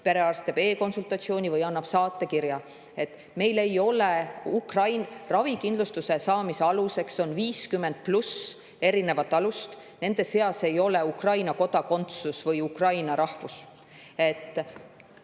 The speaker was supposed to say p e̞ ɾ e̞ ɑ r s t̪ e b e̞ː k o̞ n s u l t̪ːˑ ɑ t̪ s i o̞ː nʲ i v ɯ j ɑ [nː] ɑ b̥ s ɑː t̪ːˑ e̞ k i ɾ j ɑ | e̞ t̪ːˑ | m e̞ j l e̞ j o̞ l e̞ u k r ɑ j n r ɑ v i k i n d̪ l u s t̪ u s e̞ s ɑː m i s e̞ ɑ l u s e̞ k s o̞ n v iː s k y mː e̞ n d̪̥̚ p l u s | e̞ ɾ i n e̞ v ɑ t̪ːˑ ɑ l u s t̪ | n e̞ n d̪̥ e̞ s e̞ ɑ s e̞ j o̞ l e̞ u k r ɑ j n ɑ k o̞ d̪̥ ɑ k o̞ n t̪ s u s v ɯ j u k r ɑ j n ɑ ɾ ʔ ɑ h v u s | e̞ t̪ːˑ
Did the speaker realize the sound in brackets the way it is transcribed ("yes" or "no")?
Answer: yes